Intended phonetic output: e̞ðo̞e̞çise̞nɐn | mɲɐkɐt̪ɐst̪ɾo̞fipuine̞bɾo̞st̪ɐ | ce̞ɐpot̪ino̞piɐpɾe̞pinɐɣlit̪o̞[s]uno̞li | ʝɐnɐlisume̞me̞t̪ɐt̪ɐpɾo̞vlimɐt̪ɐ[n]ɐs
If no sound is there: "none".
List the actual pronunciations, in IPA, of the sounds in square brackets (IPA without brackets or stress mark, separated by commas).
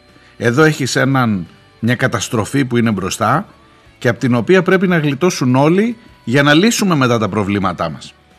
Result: s, m